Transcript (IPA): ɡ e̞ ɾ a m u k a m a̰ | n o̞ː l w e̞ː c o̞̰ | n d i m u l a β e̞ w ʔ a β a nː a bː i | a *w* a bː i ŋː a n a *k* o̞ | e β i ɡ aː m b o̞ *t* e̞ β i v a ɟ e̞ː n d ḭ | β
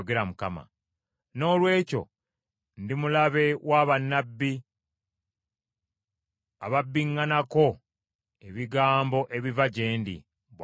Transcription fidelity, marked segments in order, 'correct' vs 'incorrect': incorrect: β, correct, incorrect: ʔ

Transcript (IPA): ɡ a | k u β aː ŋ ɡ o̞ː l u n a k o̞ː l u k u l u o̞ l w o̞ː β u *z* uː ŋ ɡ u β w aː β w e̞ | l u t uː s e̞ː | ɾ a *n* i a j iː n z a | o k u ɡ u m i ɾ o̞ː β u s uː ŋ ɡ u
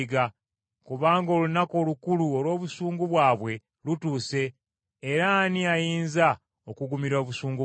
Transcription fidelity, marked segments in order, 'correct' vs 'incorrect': incorrect: s, correct

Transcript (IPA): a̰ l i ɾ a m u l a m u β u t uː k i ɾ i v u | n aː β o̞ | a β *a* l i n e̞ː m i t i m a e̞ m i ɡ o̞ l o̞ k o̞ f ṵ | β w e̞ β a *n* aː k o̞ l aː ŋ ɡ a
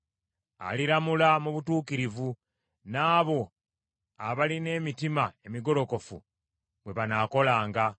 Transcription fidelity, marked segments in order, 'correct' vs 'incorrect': correct, correct

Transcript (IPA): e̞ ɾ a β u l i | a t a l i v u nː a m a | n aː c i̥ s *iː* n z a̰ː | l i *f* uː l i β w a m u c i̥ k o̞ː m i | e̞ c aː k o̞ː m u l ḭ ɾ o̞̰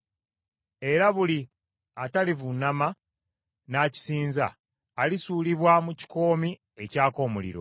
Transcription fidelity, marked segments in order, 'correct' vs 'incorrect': correct, incorrect: s

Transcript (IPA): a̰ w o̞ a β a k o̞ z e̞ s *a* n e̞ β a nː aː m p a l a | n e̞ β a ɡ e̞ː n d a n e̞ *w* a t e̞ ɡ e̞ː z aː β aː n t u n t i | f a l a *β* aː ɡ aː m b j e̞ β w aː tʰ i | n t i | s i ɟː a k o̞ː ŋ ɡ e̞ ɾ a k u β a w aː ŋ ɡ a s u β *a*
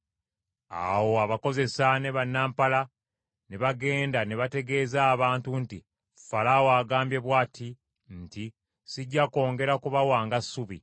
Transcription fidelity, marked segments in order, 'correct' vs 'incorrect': correct, incorrect: β, incorrect: w, incorrect: i

